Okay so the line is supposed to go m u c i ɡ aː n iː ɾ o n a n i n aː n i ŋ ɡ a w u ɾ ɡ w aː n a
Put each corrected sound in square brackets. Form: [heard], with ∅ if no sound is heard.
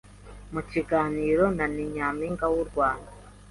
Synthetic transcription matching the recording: m u c i ɡ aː n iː ɾ o n a n i [ɲ] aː [m] i ŋ ɡ a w u ɾ ɡ w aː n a